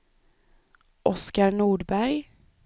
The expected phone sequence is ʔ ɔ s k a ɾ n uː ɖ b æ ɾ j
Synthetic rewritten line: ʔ ɔ s k a ɾ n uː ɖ b æ ɾ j

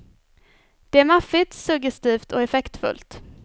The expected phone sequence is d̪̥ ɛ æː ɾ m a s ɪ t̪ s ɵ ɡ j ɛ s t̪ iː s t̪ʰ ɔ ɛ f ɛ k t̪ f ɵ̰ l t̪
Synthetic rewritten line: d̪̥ ɛ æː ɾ m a f ɪ t̪ s ɵ ɡ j ɛ s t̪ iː f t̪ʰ ɔ ɛ f ɛ k t̪ f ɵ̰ l t̪

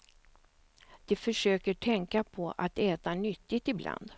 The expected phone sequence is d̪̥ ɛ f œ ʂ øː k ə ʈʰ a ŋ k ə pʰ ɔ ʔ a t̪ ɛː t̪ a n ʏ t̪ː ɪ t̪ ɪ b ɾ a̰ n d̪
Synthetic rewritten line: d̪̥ ɛ f œ ʂ øː k ə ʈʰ ɛ ŋ k a pʰ ɔ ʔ a t̪ ɛː t̪ a n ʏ t̪ː ɪ t̪ ɪ b l a̰ n d̪

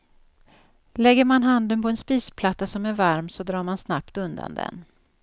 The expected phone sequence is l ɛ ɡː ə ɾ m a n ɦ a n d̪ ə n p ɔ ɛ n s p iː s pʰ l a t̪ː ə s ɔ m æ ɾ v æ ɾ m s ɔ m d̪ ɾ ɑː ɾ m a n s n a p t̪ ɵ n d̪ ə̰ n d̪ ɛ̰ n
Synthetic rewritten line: l ɛ ɡː ə ɾ m a n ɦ a n d̪ ə n p ɔ ɛ n s p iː s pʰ l a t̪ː a s ɔ m æ ɾ v a ɾ m s ɔ d̪ ɾ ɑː ɾ m a n s n a p t̪ ɵ n d̪ a̰ n d̪ ɛ̰ n

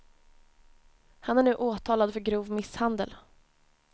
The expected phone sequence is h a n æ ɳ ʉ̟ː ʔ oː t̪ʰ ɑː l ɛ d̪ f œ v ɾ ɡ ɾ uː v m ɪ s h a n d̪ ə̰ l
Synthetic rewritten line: h a n æ ɳ ʉ̟ː ʔ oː t̪ʰ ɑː l a d̪ f œ ɾ ɡ ɾ uː v m ɪ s h a n d̪ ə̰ l

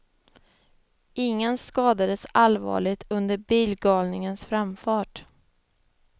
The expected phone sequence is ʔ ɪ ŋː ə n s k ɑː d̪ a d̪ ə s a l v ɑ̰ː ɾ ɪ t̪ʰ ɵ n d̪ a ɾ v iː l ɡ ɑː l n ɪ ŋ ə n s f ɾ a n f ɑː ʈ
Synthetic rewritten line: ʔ ɪ ŋː ə n s k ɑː d̪ a d̪ ə s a l v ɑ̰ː ɭ ɪ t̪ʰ ɵ n d̪ ə ɾ b iː l ɡ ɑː l n ɪ ŋ ə n s f ɾ a m f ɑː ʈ

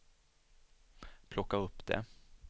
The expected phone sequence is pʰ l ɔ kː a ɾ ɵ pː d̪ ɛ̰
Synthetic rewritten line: pʰ l ɔ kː a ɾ ɵ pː d̪ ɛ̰

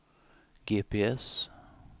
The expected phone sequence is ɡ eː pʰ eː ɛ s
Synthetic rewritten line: ɡ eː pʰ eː ɛ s

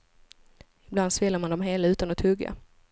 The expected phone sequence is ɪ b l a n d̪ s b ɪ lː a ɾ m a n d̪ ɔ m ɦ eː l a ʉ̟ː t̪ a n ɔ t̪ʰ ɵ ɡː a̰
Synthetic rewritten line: ɪ b l a n d̪ s v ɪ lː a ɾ m a n d̪ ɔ m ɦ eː l a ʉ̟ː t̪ a n ɔ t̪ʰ ɵ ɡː a̰

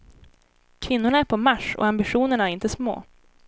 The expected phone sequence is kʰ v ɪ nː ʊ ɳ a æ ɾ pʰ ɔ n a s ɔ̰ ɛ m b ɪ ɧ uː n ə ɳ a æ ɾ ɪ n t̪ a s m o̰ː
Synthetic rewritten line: kʰ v ɪ nː ʊ ɳ a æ ɾ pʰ ɔ m a ʂ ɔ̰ a m b ɪ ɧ uː n ə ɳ a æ ɾ ɪ n t̪ ə s m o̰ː

